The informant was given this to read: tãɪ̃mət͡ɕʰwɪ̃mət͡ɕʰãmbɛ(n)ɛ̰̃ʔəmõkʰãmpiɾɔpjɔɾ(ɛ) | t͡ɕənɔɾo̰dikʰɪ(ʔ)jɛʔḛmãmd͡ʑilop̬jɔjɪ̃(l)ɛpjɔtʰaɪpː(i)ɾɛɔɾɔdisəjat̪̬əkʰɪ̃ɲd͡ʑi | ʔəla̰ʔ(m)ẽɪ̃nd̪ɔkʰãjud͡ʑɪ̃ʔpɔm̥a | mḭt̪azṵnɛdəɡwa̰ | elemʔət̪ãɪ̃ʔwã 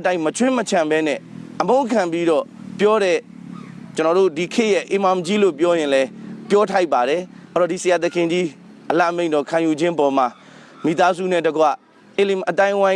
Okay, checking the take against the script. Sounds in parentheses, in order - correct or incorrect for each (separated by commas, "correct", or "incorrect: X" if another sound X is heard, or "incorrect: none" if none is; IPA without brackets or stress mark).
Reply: correct, correct, correct, correct, incorrect: a, correct